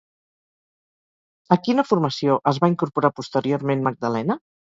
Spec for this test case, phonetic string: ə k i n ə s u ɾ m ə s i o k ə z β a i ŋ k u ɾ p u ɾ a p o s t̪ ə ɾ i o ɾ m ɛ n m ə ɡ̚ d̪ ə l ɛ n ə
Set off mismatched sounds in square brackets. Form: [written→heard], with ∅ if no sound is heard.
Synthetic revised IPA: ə k i n ə [s→f] u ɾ m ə s i o [k→ʔ] ə z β a i ŋ k u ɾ p u ɾ a p [o→u] s t̪ ə ɾ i o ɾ m [ɛ→e] n m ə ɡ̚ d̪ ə l ɛ n ə